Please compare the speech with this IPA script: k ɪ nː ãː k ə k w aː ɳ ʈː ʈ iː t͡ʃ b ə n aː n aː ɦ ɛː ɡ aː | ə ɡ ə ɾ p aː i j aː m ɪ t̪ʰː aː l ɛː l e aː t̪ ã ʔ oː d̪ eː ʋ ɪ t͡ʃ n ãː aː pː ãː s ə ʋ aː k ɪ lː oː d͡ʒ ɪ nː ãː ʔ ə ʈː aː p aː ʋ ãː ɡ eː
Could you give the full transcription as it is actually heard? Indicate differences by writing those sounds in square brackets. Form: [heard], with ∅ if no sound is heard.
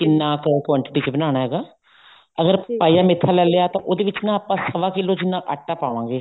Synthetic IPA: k ɪ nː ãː k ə k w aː ɳ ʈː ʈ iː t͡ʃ b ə n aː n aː ɦ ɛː ɡ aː | ə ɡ ə ɾ p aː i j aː m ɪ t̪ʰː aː l ɛː l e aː t̪ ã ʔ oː d̪ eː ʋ ɪ t͡ʃ n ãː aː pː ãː s ə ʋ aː k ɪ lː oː d͡ʒ ɪ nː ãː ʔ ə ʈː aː p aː ʋ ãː ɡ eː